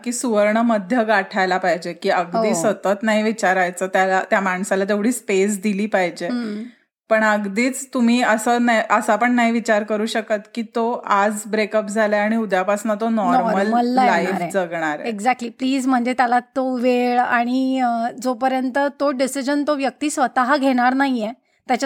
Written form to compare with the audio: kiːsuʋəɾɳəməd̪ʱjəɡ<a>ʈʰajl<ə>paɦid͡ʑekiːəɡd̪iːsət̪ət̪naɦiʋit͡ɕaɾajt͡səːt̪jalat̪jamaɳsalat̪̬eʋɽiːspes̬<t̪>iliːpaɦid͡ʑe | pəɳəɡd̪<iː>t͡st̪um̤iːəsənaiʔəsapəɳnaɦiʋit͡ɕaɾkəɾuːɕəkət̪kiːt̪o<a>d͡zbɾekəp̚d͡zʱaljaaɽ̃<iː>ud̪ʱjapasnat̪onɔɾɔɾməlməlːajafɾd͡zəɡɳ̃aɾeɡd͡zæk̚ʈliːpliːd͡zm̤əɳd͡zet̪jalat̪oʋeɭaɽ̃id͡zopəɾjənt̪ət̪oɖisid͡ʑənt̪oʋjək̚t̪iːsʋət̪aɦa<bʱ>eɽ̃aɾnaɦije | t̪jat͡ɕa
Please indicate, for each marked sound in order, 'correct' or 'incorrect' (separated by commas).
correct, incorrect, incorrect, correct, correct, incorrect, incorrect